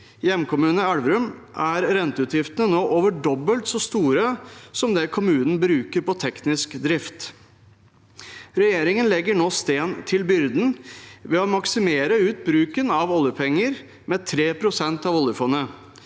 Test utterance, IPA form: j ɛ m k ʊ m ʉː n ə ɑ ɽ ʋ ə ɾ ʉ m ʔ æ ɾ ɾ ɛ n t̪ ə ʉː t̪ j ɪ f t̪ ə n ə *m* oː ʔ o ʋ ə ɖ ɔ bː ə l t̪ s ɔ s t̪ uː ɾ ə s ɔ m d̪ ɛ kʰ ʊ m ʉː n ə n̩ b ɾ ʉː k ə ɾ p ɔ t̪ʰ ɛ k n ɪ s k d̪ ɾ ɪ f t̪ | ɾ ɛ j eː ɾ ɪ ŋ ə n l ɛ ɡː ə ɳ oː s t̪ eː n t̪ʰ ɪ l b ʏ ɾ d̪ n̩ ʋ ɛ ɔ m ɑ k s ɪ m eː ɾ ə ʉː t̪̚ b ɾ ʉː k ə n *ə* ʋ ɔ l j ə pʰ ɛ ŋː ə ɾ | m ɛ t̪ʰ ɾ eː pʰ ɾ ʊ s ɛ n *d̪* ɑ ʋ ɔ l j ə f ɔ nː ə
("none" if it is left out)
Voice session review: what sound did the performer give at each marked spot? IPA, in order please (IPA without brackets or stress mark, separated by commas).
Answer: n, ɑ, t̪